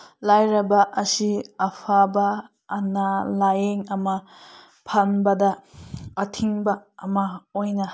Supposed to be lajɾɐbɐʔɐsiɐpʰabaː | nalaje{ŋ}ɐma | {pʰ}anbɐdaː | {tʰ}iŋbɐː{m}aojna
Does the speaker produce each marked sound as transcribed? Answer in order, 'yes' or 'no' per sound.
yes, yes, yes, yes

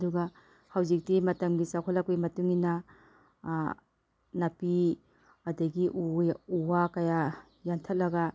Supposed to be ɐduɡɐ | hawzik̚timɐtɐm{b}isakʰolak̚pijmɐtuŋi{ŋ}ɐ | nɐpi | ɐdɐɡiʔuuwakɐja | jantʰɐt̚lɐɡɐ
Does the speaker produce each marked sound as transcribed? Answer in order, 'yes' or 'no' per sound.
no, no

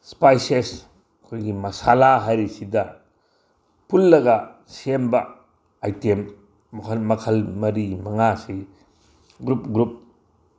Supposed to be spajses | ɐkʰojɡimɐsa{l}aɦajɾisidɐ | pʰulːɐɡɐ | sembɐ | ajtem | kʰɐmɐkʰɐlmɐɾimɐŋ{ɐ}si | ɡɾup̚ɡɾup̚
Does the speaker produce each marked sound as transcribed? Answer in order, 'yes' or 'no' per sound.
yes, no

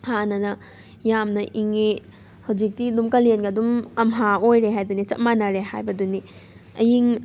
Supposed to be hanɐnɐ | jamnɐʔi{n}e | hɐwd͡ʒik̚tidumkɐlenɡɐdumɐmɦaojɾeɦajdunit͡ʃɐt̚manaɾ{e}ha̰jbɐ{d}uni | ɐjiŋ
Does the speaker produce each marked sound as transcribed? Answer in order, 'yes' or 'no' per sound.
no, yes, yes

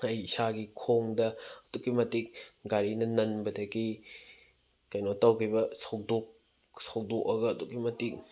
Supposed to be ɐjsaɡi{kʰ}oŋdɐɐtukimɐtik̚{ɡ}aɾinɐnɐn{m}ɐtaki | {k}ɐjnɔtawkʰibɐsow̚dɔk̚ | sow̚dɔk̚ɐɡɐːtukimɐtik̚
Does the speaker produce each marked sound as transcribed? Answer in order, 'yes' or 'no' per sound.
yes, yes, no, yes

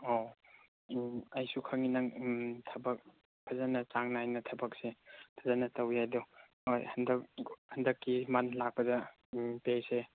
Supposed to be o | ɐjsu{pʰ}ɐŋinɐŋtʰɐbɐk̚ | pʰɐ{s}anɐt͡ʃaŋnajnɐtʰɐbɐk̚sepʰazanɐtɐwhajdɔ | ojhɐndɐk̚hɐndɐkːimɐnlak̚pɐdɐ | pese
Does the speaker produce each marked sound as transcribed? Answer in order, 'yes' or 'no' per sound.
no, no

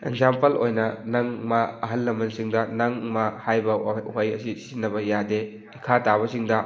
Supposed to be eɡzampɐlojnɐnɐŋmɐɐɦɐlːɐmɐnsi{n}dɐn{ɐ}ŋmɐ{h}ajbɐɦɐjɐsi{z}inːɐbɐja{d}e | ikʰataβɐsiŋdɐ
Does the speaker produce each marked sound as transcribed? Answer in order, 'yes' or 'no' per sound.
no, yes, yes, no, yes

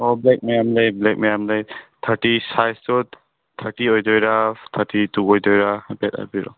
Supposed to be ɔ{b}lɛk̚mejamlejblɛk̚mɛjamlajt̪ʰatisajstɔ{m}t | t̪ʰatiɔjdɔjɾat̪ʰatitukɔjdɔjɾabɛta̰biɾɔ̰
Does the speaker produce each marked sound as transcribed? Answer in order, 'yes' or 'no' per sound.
yes, no

